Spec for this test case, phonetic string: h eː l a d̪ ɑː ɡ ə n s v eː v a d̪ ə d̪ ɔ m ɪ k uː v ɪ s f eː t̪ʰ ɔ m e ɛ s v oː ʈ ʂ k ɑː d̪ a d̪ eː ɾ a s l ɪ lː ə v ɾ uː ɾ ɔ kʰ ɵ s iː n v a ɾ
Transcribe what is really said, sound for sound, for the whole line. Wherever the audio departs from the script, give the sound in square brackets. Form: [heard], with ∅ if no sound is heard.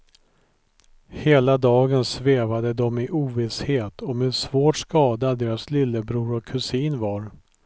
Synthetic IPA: h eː l a d̪ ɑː ɡ ə n s v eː v a d̪ ə d̪ ɔ m ɪ [ʔ] uː v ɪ s [h] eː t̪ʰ ɔ m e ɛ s v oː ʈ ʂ k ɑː d̪ a d̪ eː ɾ a s l ɪ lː ə [b] ɾ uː ɾ ɔ kʰ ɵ s iː n v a ɾ